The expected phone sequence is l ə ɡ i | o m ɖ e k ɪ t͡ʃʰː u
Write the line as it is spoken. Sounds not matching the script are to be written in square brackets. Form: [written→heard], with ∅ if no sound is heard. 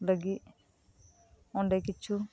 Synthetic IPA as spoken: l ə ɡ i | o [m→ɳ] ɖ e k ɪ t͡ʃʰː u